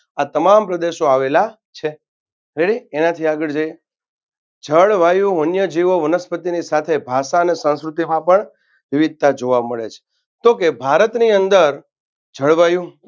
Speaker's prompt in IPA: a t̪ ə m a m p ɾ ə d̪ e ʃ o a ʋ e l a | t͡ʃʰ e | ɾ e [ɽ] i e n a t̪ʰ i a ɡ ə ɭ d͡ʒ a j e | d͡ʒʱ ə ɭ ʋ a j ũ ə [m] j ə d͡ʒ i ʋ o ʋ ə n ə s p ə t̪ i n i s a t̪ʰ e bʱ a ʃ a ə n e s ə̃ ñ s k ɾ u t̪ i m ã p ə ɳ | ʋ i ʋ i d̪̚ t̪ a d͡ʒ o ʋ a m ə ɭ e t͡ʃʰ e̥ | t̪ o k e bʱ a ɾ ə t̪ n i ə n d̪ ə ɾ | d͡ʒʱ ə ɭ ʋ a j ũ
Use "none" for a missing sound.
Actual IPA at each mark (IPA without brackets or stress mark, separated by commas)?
ɽ, n